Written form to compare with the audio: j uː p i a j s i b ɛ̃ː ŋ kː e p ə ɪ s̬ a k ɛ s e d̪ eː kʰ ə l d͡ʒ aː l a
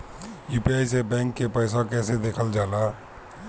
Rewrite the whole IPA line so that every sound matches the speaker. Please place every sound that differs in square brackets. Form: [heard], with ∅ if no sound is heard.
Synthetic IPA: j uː p i a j s [e] b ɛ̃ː ŋ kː e p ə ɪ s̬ a k ɛ s e d̪ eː kʰ ə l d͡ʒ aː l a